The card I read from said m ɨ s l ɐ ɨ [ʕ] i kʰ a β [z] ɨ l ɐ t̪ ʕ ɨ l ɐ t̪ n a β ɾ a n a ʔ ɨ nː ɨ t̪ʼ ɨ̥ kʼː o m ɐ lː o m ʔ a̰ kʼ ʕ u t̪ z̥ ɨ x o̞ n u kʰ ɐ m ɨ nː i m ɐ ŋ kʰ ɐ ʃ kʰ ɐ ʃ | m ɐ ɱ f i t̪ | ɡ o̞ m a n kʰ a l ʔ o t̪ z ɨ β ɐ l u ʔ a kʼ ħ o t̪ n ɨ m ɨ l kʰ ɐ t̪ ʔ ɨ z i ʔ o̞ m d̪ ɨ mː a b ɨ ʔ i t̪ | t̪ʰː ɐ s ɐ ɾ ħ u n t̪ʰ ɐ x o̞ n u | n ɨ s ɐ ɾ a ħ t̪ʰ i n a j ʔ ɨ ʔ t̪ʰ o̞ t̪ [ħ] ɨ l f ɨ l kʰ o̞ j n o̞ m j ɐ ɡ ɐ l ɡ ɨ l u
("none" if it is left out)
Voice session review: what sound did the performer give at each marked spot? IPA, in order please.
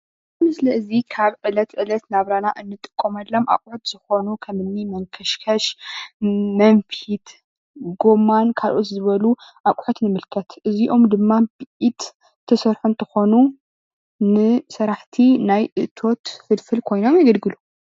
z, ʕ, f

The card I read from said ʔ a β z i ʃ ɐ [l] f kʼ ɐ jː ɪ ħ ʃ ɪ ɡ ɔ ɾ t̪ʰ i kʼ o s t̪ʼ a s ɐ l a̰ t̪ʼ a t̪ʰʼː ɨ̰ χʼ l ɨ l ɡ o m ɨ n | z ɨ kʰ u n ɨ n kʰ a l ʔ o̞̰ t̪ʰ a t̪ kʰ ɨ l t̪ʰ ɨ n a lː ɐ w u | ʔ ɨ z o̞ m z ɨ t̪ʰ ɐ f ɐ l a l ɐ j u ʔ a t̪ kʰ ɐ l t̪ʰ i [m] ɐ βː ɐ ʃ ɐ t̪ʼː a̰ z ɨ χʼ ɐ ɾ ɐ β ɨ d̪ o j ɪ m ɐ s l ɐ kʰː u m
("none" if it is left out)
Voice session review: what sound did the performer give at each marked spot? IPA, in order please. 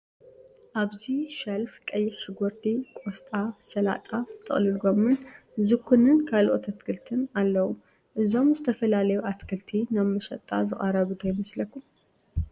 l, n

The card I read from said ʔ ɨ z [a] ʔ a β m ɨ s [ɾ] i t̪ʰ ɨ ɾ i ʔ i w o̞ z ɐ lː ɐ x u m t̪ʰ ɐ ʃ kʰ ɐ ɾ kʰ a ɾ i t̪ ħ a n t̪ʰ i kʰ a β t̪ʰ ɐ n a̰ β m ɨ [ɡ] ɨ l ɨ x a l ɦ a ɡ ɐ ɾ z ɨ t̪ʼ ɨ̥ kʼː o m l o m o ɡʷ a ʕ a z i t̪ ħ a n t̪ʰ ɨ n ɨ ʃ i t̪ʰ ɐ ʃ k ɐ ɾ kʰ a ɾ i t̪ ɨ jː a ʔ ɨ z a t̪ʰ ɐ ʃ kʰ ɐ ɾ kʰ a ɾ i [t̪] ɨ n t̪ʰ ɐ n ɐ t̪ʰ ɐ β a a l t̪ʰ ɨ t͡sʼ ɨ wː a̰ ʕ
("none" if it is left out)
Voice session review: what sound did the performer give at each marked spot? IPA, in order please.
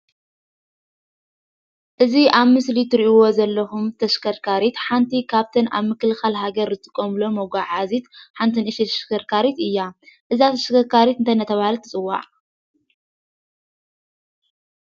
i, l, k, t̪

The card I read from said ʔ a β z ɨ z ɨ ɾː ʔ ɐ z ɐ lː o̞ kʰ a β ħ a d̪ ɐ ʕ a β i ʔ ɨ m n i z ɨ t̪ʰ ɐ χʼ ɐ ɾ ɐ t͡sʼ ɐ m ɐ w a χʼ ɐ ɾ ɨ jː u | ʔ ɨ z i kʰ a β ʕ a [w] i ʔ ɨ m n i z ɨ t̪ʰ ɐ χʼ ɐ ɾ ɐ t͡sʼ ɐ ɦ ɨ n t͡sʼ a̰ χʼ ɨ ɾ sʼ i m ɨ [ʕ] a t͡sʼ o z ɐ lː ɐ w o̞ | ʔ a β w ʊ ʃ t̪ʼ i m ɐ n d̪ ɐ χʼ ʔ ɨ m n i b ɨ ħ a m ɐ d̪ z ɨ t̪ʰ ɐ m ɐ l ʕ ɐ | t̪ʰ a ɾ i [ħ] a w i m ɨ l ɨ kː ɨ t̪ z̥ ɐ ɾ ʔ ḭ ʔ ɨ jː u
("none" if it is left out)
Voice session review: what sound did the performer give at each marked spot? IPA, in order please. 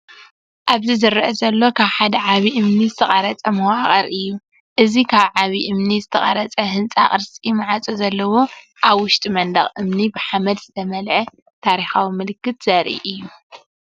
β, ʕ, x

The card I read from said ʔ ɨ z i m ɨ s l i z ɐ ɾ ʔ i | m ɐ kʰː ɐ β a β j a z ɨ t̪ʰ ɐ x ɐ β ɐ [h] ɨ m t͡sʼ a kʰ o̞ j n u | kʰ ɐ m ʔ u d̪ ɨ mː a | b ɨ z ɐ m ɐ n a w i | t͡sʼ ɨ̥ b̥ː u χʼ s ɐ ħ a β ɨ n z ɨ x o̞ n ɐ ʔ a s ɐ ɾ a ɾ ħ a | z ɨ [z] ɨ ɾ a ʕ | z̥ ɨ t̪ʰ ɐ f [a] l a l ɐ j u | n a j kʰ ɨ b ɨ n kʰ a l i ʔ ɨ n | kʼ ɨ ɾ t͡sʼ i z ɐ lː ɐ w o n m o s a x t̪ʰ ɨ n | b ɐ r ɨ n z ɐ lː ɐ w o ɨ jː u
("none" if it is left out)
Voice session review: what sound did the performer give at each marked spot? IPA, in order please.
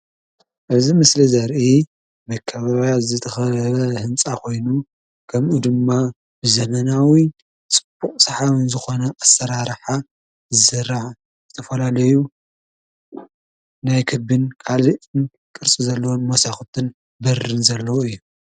h, s, ɐ

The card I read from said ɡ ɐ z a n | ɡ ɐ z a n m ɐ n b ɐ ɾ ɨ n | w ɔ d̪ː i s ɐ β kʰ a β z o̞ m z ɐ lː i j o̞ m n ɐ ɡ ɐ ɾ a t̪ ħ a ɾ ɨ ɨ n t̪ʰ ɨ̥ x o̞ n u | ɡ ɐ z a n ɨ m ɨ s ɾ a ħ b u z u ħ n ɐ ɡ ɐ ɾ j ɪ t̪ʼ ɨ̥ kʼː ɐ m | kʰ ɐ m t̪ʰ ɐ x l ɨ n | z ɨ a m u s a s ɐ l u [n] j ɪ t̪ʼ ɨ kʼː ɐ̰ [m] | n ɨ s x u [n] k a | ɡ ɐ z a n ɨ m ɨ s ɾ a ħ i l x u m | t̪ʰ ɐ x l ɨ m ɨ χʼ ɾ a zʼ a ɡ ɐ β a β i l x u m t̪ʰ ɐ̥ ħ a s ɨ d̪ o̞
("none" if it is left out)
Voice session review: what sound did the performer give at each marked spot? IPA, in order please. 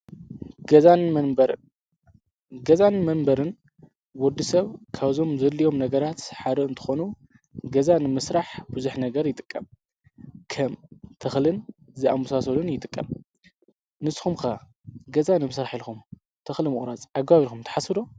n, m, m

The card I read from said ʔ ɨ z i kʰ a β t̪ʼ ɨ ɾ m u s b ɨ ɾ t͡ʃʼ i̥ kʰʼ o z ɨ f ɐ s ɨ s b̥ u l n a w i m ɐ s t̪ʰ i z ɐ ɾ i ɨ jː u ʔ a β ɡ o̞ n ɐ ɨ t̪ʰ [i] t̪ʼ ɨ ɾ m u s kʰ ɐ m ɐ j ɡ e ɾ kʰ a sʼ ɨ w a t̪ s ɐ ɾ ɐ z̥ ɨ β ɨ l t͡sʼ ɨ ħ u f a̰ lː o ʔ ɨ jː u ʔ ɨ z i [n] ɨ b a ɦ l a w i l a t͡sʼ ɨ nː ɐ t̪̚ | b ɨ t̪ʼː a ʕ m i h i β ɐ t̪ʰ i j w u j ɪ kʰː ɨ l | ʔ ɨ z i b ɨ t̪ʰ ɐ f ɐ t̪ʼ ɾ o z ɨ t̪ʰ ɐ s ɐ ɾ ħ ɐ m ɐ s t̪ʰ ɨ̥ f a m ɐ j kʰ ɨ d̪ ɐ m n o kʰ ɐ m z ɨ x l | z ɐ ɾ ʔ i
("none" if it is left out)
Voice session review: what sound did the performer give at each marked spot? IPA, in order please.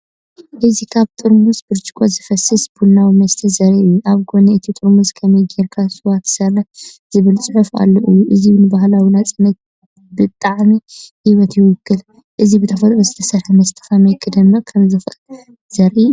i, n

